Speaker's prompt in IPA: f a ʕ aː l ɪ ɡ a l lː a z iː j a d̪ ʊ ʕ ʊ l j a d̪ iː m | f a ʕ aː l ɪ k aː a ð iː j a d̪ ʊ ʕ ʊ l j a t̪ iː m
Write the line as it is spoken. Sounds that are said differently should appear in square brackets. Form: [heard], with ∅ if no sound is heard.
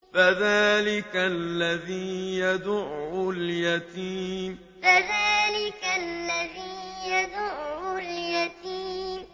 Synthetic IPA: f a [ð] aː l ɪ [k] a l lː a [ð] iː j a d̪ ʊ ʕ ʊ l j a [t̪] iː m | f a [ð] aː l ɪ k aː a ð iː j a d̪ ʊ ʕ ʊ l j a t̪ iː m